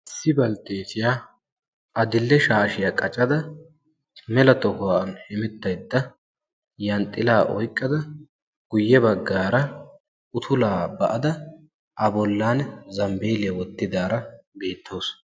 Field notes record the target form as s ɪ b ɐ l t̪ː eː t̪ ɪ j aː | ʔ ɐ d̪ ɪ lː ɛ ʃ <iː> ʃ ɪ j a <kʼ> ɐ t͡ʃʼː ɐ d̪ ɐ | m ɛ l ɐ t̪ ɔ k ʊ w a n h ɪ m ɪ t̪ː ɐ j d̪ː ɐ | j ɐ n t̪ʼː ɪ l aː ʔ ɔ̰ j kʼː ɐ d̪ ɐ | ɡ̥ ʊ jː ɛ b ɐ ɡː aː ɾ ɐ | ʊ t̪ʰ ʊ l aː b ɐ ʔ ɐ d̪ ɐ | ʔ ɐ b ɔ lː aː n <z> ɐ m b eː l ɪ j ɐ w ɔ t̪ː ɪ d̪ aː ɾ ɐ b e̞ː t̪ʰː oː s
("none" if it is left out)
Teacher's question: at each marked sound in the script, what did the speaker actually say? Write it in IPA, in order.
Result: aː, kʼ, z

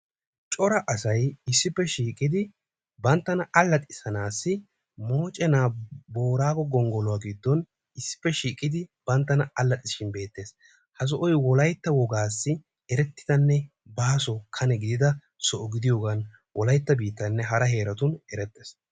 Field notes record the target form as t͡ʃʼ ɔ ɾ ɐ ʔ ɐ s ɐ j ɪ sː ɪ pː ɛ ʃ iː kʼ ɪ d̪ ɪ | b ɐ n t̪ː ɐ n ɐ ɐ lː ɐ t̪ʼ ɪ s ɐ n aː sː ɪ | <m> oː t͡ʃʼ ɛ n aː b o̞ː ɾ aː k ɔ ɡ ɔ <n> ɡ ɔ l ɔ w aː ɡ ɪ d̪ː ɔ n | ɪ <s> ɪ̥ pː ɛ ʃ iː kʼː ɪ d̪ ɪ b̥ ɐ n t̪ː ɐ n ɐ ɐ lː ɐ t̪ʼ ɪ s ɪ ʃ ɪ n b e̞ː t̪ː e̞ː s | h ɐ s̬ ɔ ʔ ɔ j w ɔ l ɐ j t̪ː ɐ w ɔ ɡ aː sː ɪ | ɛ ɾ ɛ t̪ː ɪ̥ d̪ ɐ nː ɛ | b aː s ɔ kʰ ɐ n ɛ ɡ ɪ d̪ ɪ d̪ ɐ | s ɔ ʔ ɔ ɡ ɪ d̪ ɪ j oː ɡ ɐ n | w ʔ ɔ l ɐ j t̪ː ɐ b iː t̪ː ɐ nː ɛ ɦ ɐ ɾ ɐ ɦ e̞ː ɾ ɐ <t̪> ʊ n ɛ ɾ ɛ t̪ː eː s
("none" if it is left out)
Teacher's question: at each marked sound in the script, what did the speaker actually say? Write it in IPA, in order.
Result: m, ŋ, sː, t̪

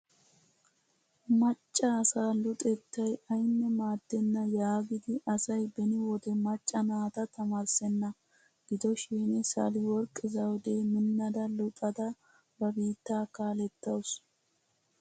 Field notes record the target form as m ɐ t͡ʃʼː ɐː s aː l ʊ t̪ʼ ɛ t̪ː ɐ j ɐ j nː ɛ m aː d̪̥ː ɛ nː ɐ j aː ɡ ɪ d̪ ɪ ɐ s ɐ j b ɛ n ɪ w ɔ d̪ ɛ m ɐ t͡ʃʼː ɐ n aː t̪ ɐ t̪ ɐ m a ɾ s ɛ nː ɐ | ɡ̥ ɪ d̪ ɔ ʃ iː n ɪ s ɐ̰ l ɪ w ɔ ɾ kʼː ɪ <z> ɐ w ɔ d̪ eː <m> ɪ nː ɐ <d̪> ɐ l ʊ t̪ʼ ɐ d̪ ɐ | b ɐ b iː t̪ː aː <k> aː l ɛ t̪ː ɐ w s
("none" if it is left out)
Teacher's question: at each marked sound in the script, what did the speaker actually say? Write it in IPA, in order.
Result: z, m, d̪, k

